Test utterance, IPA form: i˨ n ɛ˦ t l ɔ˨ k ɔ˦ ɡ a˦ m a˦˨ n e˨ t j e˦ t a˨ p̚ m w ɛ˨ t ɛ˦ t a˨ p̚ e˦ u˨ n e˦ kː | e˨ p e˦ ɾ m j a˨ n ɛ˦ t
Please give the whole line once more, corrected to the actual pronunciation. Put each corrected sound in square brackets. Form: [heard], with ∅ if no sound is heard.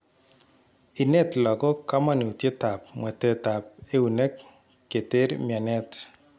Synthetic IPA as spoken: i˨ n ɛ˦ t l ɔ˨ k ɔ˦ [k] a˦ m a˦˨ n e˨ t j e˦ t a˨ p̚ m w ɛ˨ t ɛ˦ t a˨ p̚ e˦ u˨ n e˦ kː | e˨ [t] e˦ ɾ m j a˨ n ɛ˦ t